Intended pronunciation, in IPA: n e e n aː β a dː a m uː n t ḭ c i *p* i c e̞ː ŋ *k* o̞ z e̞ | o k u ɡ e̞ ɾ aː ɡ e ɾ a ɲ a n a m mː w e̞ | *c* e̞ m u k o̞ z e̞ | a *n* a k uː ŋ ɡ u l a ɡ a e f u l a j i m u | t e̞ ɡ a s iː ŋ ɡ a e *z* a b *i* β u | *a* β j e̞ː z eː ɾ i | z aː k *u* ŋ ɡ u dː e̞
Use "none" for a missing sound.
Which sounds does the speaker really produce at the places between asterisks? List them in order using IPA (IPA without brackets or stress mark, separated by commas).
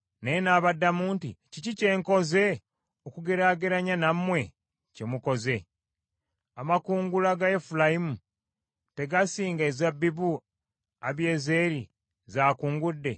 c, k, c, m, z, i, a, uː